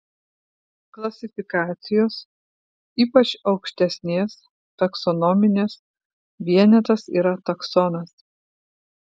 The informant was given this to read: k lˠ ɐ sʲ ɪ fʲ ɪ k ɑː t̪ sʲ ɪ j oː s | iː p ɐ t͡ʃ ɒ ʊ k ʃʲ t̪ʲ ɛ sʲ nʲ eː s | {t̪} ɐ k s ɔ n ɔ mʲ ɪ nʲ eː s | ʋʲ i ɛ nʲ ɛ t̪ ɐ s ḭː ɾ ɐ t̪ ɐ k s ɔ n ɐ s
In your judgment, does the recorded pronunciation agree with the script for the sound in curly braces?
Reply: yes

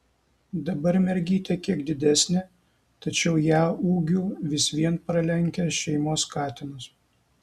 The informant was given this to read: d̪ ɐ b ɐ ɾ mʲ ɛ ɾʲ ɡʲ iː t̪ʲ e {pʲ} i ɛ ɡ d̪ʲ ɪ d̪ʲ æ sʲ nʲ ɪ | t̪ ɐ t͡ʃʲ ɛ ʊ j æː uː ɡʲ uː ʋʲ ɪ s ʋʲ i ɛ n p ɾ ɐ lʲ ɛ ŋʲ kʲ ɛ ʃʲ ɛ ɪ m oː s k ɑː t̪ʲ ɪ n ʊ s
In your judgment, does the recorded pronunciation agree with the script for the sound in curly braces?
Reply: no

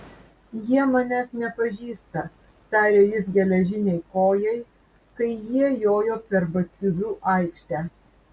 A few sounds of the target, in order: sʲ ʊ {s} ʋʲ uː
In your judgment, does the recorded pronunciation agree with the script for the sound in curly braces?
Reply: no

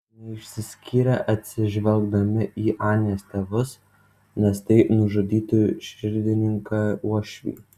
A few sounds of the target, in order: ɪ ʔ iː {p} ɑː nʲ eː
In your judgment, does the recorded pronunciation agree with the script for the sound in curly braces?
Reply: no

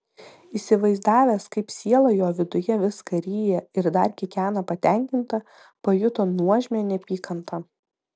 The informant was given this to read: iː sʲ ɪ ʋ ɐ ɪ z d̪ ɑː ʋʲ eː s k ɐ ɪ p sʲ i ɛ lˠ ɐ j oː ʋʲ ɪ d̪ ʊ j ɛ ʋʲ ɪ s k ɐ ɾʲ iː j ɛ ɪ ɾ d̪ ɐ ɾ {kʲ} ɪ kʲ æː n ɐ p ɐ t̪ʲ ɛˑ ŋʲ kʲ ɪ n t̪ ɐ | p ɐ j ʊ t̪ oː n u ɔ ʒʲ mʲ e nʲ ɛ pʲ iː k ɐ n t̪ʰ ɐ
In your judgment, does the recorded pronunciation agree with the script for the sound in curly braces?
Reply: yes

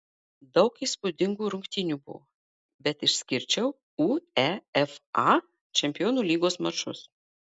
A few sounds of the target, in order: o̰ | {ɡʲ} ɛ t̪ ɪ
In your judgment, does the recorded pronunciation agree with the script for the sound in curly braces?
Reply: no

